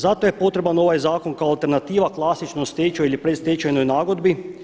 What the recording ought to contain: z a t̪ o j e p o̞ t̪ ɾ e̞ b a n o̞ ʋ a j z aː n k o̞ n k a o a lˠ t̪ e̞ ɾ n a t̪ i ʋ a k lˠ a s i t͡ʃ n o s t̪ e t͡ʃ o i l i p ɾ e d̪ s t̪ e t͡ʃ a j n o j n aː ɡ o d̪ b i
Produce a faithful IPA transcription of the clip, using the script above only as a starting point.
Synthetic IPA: z a t̪ o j e p o̞ t̪ ɾ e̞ b a n o̞ ʋ a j z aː k o̞ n k a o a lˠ t̪ e̞ ɾ n a t̪ iː ʋ a k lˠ a s i t͡ʃ n o s t̪ e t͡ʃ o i l i p ɾ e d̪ s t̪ e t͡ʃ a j n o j n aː ɡ o d̪ b i